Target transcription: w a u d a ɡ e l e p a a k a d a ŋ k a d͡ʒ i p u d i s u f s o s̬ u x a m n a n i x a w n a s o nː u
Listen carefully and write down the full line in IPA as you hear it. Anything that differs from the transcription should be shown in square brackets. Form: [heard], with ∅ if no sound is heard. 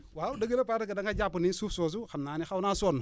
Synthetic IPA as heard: w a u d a ɡ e l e p a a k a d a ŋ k a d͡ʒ [a] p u [n] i s u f s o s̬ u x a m n a n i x a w n a s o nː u